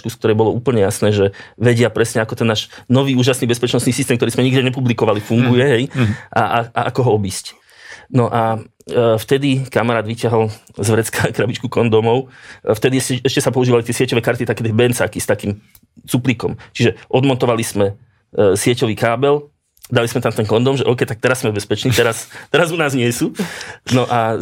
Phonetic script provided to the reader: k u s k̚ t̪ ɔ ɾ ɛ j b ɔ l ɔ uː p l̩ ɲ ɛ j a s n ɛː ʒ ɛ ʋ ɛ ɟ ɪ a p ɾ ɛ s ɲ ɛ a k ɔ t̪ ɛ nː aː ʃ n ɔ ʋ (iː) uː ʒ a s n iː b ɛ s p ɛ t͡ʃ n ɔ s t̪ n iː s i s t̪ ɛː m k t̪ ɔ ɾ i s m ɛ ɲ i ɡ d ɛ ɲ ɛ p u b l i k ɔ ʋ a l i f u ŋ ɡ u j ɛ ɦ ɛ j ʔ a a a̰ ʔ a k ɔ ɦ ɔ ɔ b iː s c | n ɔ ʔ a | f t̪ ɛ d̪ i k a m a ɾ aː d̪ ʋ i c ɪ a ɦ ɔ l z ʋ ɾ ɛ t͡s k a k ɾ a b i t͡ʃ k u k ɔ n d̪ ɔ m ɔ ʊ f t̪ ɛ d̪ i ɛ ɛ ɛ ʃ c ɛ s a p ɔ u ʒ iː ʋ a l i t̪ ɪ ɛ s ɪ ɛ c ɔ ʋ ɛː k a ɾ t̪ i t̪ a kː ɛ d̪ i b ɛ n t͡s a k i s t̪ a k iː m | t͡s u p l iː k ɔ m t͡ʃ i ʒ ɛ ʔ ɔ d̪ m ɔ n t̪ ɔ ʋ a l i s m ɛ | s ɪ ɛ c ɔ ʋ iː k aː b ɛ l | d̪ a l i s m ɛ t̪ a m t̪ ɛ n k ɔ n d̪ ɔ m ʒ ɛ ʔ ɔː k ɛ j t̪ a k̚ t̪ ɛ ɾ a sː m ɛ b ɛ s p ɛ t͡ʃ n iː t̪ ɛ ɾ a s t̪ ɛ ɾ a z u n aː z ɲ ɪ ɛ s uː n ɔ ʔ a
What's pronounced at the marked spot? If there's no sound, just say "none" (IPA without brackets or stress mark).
iː